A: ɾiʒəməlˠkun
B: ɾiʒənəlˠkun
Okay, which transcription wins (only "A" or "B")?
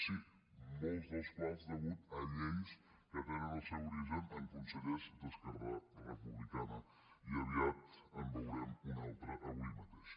B